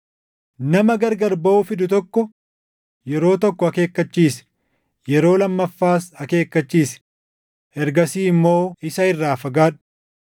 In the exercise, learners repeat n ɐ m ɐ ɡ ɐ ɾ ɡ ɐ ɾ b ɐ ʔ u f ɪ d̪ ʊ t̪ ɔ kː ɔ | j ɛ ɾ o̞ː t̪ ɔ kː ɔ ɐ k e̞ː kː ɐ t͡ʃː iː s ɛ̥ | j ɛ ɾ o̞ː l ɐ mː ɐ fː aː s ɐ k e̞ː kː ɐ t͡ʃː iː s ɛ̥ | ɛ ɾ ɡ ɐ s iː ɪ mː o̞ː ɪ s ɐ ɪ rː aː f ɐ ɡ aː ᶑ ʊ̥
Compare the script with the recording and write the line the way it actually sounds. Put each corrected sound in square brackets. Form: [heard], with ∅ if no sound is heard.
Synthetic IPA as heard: n ɐ m ɐ ɡ ɐ ɾ ɡ ɐ ɾ b ɐ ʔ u f ɪ d̪ ʊ t̪ ɔ kː ɔ | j ɛ ɾ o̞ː t̪ ɔ kː ɔ ɐ k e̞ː kː ɐ t͡ʃː iː s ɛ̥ | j ɛ ɾ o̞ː l ɐ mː ɐ fː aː s ɐ k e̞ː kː ɐ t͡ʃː iː s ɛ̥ | ɛ ɾ ɡ ɐ s iː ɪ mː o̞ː ɪ s ɐ ɪ rː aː f ɐ ɡ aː ᶑ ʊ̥